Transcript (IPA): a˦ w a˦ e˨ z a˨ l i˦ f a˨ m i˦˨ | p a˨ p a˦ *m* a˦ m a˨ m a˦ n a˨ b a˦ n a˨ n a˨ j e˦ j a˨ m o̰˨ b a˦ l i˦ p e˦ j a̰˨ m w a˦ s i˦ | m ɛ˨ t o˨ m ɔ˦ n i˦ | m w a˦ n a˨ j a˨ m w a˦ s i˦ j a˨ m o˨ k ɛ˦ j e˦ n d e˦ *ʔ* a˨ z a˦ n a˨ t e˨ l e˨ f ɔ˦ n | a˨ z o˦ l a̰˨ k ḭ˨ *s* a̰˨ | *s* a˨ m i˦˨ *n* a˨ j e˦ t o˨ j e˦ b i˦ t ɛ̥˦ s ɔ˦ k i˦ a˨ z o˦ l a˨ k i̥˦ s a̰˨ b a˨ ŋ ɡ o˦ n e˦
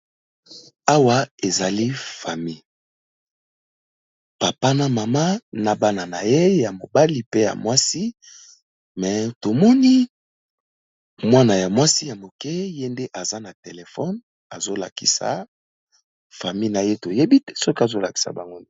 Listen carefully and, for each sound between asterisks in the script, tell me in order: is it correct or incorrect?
incorrect: n, correct, correct, incorrect: f, correct

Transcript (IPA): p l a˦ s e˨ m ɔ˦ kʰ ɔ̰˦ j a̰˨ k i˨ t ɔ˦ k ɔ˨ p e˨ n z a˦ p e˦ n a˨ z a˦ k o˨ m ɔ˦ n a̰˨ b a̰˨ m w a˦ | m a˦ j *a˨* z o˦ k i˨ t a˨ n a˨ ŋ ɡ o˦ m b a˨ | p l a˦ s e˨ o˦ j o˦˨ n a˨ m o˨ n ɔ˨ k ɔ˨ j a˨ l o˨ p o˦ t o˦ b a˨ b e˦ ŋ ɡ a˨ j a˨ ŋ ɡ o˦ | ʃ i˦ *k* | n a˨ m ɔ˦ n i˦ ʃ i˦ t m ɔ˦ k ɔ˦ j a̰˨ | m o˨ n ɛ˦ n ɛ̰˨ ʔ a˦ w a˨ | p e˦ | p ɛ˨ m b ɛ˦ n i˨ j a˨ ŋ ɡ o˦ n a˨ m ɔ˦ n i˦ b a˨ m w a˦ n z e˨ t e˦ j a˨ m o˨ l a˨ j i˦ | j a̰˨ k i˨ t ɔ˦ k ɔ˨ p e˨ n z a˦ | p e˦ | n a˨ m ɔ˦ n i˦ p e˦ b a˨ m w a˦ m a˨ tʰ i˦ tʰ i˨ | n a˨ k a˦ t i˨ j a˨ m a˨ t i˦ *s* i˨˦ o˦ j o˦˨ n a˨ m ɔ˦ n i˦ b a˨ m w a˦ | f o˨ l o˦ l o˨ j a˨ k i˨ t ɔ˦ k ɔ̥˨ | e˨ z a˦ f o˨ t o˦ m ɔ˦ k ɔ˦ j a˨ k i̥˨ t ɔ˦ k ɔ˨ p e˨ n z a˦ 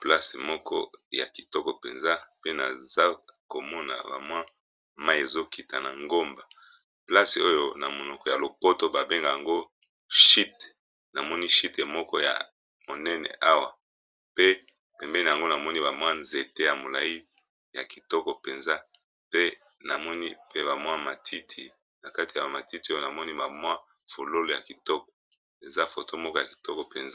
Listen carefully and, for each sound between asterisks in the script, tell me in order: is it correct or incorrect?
incorrect: e˨, incorrect: t, incorrect: t

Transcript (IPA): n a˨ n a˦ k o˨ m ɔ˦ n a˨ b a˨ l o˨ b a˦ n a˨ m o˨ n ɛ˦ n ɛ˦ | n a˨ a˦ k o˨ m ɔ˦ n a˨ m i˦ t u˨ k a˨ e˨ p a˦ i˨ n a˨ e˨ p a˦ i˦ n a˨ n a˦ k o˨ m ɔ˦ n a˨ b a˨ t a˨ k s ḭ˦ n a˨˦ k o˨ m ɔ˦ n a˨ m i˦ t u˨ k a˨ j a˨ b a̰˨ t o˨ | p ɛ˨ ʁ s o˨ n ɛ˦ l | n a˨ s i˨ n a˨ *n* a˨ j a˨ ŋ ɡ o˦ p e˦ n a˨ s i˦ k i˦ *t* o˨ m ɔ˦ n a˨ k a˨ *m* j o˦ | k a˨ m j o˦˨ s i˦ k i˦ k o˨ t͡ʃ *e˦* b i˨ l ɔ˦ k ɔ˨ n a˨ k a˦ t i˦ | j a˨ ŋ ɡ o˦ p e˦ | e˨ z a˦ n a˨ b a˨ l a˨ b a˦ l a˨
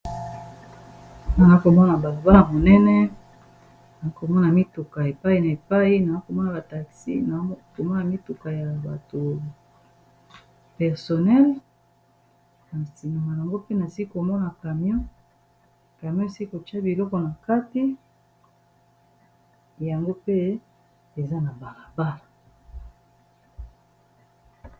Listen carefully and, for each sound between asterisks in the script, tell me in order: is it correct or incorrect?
incorrect: m, incorrect: k, correct, incorrect: a˦

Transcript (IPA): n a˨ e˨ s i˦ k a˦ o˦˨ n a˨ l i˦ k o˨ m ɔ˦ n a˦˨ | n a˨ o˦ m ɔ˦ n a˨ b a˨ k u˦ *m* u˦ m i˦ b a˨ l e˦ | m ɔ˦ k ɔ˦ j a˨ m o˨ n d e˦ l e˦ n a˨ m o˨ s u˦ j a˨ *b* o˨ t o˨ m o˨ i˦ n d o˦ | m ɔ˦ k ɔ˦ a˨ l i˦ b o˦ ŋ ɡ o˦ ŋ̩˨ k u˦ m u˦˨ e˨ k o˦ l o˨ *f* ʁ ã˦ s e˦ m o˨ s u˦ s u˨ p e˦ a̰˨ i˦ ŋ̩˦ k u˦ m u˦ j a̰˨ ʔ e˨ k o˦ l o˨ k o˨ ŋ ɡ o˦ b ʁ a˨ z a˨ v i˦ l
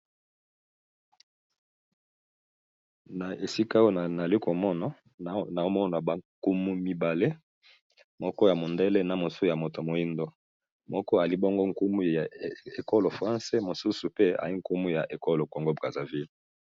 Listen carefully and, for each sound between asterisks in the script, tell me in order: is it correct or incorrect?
correct, incorrect: m, correct

